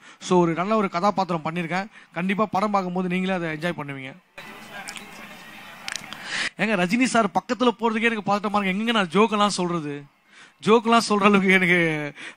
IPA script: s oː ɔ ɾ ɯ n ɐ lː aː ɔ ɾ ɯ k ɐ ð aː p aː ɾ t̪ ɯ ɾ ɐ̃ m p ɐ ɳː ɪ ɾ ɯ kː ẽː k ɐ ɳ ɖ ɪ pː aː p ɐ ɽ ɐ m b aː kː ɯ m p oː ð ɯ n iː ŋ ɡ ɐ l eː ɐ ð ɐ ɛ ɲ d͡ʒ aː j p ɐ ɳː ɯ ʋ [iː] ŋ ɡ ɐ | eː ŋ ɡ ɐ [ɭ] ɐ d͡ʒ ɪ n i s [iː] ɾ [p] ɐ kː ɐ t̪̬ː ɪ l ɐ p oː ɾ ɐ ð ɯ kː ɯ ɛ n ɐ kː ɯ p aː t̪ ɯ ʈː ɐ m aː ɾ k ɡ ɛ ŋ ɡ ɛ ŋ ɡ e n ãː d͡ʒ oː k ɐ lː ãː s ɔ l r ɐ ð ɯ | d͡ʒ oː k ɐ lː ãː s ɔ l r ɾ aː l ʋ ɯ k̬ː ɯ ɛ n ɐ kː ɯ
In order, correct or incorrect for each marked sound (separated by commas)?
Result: correct, incorrect, incorrect, correct